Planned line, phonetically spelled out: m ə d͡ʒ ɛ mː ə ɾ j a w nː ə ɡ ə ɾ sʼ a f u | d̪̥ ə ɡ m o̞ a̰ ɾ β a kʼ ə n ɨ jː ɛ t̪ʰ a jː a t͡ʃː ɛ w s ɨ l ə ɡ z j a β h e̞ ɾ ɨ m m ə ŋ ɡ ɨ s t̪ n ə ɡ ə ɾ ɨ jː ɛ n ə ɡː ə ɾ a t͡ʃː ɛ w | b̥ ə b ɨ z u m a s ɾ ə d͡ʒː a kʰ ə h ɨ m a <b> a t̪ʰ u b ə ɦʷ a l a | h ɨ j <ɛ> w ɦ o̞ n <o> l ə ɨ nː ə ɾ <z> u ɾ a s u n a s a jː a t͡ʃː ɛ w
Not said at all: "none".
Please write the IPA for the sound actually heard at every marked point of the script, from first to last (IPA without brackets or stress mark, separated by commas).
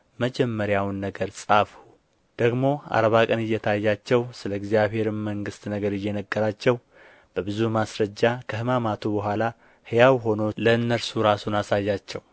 m, a, o, s